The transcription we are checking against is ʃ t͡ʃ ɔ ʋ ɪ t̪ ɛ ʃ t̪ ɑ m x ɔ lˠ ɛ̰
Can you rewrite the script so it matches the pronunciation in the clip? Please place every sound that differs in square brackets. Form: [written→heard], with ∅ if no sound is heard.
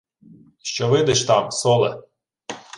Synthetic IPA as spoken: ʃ t͡ʃ ɔ ʋ ɪ [t̪→d̪] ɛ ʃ t̪ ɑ m [x→s] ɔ lˠ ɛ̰